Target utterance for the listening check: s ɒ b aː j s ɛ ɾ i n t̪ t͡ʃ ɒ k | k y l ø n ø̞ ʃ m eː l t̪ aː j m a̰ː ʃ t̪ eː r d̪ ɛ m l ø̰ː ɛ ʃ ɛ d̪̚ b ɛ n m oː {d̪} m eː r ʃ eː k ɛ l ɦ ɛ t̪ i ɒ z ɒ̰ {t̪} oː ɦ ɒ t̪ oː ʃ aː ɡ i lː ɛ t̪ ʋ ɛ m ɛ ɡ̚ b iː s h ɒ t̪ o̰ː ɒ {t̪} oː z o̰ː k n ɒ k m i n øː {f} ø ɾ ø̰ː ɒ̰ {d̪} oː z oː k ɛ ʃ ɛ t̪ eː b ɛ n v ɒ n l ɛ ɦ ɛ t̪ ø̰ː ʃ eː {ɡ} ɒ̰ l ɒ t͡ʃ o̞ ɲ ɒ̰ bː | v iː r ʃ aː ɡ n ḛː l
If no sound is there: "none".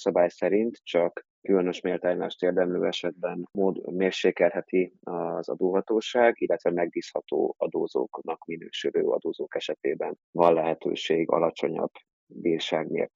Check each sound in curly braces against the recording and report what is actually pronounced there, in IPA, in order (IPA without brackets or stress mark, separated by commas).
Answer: d̪, d̪, d̪, ʃ, d̪, ɡ